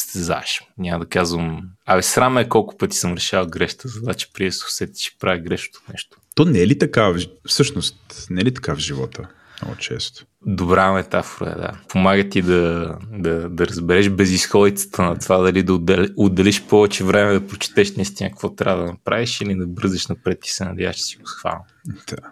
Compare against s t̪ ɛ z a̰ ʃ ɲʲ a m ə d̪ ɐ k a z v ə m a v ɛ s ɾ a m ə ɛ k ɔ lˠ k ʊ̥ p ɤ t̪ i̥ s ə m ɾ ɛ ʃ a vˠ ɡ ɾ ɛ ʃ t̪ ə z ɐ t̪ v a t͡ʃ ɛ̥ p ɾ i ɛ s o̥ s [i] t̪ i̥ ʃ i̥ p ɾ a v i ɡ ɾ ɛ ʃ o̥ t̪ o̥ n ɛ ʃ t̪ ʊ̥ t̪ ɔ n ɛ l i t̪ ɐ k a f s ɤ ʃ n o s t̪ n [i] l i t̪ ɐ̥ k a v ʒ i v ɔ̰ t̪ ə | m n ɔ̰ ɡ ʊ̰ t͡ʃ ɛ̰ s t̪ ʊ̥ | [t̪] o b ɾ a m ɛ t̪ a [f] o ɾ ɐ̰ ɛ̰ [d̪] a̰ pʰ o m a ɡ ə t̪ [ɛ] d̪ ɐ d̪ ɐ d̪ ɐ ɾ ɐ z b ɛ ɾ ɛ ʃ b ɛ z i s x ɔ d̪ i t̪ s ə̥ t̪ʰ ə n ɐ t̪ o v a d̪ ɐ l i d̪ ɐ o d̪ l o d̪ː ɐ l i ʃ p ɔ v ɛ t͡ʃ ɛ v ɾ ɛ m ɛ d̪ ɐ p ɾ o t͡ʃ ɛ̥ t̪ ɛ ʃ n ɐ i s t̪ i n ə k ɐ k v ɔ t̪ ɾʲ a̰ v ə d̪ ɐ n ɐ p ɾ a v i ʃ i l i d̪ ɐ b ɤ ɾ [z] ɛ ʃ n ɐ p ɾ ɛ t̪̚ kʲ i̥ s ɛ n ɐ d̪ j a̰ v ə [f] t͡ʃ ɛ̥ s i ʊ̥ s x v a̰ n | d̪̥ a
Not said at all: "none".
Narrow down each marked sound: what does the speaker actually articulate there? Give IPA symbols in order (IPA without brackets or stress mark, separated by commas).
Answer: ɛ, ɛ, d̪, f, d̪, i, z, ʃ